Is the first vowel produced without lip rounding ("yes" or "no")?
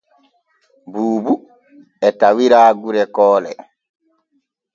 no